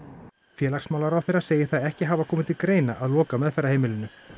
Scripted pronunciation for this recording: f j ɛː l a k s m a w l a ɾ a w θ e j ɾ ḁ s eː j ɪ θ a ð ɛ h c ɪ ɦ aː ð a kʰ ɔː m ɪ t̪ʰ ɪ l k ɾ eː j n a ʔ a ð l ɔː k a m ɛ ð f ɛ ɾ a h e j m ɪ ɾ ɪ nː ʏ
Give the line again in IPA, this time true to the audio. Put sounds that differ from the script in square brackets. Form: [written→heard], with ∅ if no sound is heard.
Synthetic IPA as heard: f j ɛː l a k s m a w l a ɾ a w θ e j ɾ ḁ s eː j ɪ θ a ð ɛ h c ɪ ɦ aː [ð→v] a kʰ ɔː m ɪ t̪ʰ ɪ l k ɾ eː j n a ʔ a ð l ɔː k a m ɛ ð f ɛ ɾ a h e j m ɪ [ɾ→l] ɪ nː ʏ

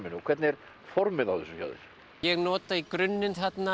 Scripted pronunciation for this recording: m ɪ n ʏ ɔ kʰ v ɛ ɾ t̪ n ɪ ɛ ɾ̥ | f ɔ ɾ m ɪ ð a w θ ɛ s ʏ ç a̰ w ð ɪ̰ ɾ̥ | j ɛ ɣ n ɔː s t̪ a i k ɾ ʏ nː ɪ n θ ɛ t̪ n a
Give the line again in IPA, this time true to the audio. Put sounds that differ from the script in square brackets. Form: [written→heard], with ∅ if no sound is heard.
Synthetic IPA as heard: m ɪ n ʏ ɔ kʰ v ɛ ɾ t̪ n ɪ ɛ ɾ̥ | f ɔ ɾ m ɪ ð a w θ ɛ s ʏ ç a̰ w ð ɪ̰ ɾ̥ | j ɛ ɣ n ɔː [s→∅] t̪ a i k ɾ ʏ nː ɪ n θ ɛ t̪ n a

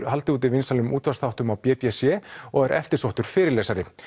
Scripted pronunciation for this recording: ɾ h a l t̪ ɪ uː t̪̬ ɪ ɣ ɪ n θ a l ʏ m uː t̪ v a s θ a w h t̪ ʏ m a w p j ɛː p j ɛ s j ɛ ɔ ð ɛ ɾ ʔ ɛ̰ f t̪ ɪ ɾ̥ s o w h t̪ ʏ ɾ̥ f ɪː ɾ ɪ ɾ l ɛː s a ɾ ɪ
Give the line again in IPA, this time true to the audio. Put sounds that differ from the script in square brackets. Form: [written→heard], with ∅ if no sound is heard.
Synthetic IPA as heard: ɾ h a l t̪ ɪ uː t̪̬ ɪ [ɣ→v] ɪ n [θ→s] a l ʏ m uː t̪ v a s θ a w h t̪ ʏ m a w p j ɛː p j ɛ s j ɛ ɔ [ð→ɣ] ɛ ɾ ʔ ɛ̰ f t̪ ɪ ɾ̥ s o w h t̪ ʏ ɾ̥ f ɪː ɾ ɪ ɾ l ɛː s a ɾ ɪ

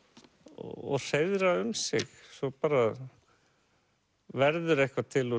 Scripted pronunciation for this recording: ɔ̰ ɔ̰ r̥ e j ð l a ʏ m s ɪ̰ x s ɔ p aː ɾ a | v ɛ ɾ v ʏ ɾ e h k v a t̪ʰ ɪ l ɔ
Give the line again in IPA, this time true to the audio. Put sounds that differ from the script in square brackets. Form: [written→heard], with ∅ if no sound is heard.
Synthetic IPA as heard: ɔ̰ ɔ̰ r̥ e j ð [l→ɾ] a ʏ m s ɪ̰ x s ɔ p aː ɾ a | v ɛ ɾ [v→ð] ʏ ɾ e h k v a t̪ʰ ɪ l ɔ

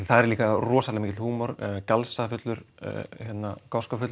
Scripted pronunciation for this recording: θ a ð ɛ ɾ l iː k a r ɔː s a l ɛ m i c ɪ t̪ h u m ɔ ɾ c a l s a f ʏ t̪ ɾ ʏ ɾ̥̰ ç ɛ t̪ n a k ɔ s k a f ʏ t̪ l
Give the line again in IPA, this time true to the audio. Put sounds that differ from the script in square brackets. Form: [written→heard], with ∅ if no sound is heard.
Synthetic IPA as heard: θ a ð ɛ ɾ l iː k a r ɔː s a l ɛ m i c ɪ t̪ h [u→uː] m ɔ ɾ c a l s a f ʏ t̪ [ɾ→l] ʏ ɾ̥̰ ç ɛ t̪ n a k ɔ s k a f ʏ t̪ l

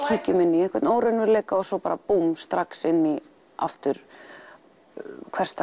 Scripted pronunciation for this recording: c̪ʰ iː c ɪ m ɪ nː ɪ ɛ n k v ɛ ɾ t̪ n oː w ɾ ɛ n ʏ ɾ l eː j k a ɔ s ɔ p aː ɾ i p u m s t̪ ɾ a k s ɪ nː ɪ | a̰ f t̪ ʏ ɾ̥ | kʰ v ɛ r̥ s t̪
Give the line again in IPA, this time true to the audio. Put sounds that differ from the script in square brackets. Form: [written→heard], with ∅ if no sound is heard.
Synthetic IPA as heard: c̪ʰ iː c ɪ m ɪ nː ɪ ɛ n k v ɛ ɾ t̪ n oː w ɾ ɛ n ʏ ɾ l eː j k a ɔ s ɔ p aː ɾ [i→a] p u m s t̪ ɾ a k s ɪ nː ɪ | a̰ f t̪ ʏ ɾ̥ | kʰ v ɛ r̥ s t̪

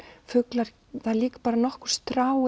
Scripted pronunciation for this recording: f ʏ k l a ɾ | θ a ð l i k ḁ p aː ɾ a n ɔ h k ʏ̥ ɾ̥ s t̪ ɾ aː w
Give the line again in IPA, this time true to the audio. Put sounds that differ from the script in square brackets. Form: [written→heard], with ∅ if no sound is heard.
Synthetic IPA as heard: f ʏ k l a ɾ | θ a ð l [i→iː] k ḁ p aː ɾ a n ɔ h k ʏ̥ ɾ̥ s t̪ ɾ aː w

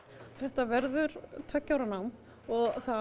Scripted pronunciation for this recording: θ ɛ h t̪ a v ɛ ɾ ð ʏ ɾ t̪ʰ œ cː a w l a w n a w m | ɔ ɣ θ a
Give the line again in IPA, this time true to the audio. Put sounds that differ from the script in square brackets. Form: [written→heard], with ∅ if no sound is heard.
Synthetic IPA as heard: θ ɛ h t̪ a v ɛ ɾ ð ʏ ɾ t̪ʰ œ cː a w [l→ɾ] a [w→∅] n a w m | ɔ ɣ θ a

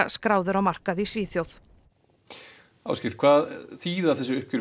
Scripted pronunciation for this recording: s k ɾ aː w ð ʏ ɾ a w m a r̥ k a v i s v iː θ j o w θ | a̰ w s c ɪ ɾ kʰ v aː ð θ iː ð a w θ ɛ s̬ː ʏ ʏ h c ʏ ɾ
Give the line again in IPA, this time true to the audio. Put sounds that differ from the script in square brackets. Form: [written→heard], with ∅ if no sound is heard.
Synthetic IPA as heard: s k ɾ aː w ð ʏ ɾ a w m a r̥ k a [v→ð] i s v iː θ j o w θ | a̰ w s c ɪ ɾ kʰ v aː ð θ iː ð a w θ ɛ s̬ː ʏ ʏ h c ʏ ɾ

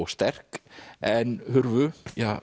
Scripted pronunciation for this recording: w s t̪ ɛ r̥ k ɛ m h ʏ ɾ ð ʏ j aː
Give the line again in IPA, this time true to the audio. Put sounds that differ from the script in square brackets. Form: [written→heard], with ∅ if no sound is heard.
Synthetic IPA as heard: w s t̪ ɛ r̥ k ɛ [m→n] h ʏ ɾ [ð→v] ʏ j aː

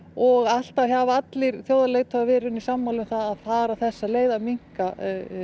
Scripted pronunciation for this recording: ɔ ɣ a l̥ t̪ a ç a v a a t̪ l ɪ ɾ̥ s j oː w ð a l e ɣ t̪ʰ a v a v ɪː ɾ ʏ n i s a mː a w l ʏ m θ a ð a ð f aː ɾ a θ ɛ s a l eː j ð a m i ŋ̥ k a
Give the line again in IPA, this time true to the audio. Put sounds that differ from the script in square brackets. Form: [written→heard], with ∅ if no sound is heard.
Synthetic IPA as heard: ɔ ɣ a l̥ t̪ a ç a v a a t̪ l ɪ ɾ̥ [s→θ] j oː w ð a l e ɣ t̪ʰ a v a v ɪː ɾ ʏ n i s a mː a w l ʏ m θ a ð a ð f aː ɾ a θ ɛ [s→sː] a l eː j ð a m i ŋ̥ k a

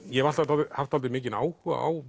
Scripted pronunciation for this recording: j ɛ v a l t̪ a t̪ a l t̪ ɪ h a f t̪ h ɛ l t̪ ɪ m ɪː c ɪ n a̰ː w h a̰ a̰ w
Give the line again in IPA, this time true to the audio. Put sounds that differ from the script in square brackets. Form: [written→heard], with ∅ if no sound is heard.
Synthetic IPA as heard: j ɛ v a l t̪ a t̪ a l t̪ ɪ h a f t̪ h [ɛ→a] l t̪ ɪ m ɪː c ɪ n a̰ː w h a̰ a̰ w

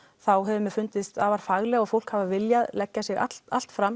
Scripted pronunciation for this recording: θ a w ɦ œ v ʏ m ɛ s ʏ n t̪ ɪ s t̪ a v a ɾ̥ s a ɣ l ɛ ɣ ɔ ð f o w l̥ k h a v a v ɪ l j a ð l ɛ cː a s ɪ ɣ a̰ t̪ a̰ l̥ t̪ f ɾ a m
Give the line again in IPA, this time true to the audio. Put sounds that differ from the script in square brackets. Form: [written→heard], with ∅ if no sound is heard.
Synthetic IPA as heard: θ a w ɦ [œ→ɛ] v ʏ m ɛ [s→f] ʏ n t̪ ɪ s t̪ a v a ɾ̥ [s→f] a ɣ l ɛ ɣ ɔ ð f o w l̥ k h a v a v ɪ l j a ð l ɛ cː a s ɪ ɣ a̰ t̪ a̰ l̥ t̪ f ɾ a m

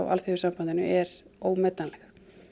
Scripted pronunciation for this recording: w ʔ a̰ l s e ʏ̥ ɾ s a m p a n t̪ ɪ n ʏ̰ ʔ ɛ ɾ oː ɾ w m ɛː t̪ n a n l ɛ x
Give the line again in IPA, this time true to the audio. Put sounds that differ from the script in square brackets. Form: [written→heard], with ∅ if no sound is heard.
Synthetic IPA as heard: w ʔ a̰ l [s→θ] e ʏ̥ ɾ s a m p a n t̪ ɪ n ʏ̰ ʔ ɛ ɾ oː [ɾ→∅] w m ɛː t̪ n a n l ɛ x

